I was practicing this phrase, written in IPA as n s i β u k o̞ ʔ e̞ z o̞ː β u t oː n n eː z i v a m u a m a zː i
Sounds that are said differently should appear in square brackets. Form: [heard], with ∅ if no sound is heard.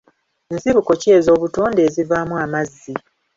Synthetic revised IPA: n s i β u k o̞ [c] e̞ z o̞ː β u t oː n [d] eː z i v a m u a m a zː i